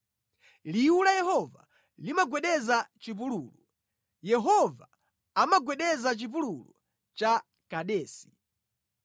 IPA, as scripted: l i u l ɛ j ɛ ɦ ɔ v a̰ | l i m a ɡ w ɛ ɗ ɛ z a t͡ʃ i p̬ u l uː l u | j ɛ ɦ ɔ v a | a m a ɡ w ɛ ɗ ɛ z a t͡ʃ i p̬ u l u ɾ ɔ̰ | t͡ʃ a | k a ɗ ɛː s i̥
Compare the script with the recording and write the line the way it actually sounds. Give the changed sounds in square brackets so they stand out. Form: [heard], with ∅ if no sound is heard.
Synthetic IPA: l i u l [a] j ɛ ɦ ɔ v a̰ | l i m a ɡ w ɛ ɗ ɛ z a t͡ʃ i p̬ u l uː l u | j ɛ ɦ ɔ v a | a m a ɡ w ɛ ɗ ɛ z a t͡ʃ i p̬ u l u [l] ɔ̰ | t͡ʃ a | k a ɗ ɛː s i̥